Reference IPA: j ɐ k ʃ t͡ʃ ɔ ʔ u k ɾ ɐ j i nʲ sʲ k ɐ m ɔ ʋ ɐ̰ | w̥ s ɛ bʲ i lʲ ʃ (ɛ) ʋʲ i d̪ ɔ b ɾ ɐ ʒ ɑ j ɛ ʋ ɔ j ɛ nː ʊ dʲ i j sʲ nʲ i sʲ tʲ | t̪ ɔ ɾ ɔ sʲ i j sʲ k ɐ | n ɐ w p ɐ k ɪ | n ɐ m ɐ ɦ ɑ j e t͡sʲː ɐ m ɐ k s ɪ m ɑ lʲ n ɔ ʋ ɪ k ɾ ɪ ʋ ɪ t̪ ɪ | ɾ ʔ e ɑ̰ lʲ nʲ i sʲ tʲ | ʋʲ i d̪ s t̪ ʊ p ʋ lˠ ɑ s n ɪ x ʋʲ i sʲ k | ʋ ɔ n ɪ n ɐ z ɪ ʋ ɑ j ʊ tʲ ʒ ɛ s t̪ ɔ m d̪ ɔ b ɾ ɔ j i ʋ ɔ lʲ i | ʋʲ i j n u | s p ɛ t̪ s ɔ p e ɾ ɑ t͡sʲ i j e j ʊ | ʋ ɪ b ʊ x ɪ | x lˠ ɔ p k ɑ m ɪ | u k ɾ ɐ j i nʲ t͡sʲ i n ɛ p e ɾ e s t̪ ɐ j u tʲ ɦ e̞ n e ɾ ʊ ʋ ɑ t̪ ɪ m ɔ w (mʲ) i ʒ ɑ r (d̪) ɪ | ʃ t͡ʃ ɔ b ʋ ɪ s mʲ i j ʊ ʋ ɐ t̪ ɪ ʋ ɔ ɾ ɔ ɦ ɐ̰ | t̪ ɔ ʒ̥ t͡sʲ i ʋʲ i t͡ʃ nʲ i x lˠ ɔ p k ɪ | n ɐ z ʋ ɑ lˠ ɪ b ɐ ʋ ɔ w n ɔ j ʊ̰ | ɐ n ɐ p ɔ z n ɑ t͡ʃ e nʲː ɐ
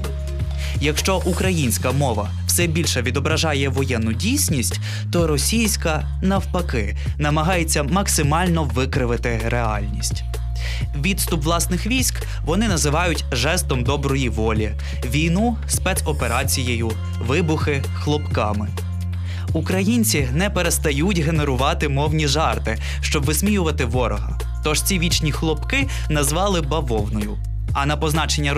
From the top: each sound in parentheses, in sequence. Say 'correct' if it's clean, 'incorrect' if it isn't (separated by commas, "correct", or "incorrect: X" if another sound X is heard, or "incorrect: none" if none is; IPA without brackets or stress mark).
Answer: correct, incorrect: nʲ, incorrect: t̪